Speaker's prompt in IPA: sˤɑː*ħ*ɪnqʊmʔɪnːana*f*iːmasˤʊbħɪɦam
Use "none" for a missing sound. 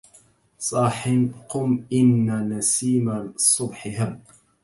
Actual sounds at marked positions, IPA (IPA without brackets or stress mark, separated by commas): ħ, s